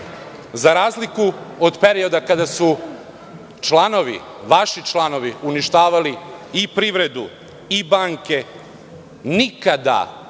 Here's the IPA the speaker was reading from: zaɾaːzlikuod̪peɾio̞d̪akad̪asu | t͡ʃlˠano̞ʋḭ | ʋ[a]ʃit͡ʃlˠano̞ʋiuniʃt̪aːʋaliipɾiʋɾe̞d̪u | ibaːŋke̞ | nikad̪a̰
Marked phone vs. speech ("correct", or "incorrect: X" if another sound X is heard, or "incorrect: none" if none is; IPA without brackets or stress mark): correct